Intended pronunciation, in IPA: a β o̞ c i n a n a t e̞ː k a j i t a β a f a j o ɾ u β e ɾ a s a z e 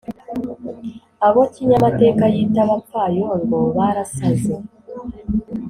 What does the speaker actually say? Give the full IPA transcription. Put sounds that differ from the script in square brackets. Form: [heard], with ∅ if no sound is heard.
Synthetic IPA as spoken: a β o̞ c i [ɲ] a [m] a t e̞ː k a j i t a β a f a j o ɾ [o] β [a] ɾ a s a z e